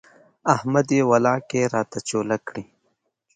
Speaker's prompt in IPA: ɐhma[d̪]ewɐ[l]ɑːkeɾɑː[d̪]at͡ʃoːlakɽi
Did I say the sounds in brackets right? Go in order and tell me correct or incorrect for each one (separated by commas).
correct, correct, incorrect